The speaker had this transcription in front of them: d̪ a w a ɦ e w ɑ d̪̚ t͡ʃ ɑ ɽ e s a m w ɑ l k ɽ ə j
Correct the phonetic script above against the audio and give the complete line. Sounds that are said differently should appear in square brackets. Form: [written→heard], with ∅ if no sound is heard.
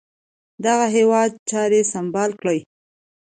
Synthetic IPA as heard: d̪ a [w→ɣ] a ɦ e w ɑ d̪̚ t͡ʃ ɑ [ɽ→ɾ] e s a m [w→b] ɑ l k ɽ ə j